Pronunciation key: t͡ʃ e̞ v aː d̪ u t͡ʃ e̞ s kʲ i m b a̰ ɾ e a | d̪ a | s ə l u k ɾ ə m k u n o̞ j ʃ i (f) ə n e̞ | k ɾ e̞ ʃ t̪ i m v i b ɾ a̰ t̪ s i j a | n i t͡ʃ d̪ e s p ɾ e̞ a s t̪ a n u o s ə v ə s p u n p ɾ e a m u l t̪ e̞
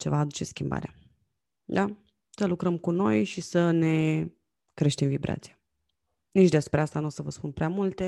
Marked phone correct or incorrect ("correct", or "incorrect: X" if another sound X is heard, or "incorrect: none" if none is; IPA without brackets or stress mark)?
incorrect: s